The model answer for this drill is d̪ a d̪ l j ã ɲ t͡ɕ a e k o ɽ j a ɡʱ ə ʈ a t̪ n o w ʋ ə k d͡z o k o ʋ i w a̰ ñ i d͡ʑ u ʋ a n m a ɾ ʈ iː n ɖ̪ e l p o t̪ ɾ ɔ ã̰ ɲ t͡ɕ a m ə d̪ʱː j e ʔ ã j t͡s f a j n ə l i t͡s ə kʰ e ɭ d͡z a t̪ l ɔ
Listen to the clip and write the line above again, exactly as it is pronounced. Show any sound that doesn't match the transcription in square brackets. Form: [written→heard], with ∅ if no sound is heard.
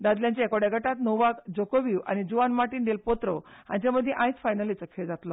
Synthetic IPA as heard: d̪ a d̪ l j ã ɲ t͡ɕ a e k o ɽ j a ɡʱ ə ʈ a t̪ n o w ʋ [ə→a] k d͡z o k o ʋ i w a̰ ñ i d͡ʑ u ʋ a n m a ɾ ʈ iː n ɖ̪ e l p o t̪ ɾ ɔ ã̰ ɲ t͡ɕ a m ə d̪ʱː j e ʔ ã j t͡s f a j n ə l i t͡s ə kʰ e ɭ d͡z a t̪ l ɔ